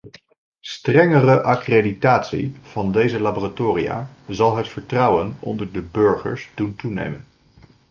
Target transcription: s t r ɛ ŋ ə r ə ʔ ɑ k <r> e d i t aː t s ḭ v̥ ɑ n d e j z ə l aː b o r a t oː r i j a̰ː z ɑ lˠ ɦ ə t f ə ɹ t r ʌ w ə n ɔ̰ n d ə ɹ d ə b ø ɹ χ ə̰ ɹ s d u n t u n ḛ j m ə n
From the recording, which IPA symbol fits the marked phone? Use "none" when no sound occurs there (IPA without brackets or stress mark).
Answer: r